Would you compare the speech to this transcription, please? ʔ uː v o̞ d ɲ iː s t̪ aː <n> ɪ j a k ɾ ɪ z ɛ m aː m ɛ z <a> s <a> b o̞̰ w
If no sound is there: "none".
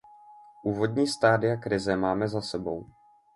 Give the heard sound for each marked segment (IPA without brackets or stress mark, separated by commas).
d, a, ɛ